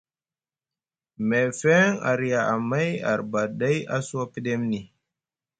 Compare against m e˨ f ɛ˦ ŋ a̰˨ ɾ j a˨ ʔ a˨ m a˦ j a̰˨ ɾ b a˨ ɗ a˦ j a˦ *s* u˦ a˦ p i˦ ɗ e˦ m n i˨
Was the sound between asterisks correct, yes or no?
yes